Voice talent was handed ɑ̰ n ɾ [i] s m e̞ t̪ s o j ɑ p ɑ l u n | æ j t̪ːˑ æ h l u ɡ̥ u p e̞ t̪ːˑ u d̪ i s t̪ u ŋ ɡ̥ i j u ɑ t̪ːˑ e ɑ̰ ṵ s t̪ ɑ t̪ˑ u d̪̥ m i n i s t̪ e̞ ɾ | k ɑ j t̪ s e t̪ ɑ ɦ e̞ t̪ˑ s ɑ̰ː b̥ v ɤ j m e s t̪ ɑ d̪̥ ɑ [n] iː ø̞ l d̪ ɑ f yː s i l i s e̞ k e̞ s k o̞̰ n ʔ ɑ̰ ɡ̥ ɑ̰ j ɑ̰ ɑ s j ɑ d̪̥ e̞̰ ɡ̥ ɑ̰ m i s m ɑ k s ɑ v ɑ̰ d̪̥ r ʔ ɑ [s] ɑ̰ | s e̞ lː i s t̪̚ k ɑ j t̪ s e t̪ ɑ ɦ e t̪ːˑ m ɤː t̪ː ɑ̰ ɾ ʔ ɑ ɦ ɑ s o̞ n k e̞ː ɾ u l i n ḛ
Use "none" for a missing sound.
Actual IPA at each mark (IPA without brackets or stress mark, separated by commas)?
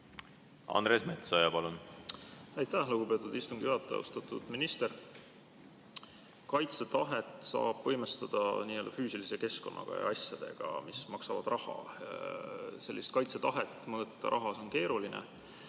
e, n, h